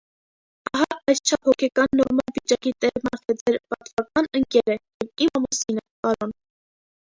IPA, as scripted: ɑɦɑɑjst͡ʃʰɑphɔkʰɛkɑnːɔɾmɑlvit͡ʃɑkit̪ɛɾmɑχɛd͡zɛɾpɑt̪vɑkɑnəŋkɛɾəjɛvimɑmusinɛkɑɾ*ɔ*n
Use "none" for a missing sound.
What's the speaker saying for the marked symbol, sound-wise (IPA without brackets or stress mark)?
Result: ɔ